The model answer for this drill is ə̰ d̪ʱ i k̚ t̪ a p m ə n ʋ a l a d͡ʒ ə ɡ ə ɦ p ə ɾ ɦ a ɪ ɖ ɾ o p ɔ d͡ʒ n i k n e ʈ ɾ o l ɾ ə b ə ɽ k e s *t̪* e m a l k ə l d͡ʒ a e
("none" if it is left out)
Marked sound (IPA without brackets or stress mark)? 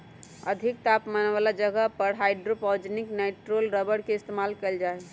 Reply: t̪